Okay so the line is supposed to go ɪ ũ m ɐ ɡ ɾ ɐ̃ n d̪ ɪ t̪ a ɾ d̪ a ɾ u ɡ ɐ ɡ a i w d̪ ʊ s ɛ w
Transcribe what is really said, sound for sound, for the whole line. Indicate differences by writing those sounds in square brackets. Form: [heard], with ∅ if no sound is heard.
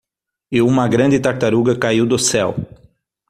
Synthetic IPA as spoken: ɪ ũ m ɐ ɡ ɾ ɐ̃ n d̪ ɪ t̪ a ɾ [t̪] a ɾ u ɡ ɐ [k] a i w d̪ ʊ s ɛ w

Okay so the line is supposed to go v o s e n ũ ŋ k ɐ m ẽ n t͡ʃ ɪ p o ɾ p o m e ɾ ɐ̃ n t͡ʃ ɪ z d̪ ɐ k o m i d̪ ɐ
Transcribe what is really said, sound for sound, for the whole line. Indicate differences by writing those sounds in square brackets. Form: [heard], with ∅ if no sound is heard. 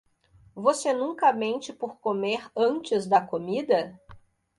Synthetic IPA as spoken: v o s e n ũ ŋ k ɐ m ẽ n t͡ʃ ɪ p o ɾ [k] o m e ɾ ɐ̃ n t͡ʃ ɪ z d̪ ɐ k o m i d̪ ɐ

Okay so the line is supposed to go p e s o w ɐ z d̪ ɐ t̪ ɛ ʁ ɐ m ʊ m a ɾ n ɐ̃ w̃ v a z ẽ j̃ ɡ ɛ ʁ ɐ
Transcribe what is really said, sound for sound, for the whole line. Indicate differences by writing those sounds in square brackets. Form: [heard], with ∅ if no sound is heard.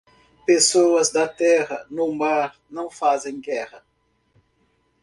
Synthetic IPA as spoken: p e s o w ɐ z d̪ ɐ t̪ ɛ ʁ ɐ [n] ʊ m a ɾ n ɐ̃ w̃ [f] a z ẽ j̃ ɡ ɛ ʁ ɐ

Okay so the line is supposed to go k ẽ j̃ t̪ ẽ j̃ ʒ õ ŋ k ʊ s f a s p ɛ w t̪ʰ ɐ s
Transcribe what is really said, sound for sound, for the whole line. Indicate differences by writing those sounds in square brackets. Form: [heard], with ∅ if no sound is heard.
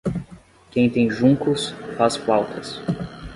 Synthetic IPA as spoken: k ẽ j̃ t̪ ẽ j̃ ʒ [ũ] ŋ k ʊ s f a s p [a] w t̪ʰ ɐ s

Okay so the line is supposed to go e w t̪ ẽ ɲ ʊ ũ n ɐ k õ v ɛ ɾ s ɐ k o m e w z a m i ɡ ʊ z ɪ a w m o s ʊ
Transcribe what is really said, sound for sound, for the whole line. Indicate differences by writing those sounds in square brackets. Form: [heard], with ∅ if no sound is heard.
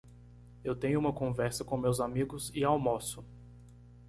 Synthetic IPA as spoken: e w t̪ ẽ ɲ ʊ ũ [m] ɐ k õ v ɛ ɾ s ɐ k [õ] m e w z a m i ɡ ʊ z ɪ a w m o s ʊ

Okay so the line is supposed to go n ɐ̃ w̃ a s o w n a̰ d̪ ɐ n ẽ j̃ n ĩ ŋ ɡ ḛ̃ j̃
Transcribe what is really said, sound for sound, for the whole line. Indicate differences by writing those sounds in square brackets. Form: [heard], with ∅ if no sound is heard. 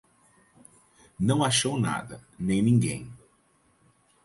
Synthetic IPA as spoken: n ɐ̃ w̃ a [ʃ] o w n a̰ d̪ ɐ n ẽ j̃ n ĩ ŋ ɡ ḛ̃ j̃

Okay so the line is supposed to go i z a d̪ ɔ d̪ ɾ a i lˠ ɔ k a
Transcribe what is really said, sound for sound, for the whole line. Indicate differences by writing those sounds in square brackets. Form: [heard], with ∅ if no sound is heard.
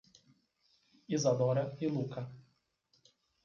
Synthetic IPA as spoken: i z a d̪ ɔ [∅] ɾ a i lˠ [u] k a

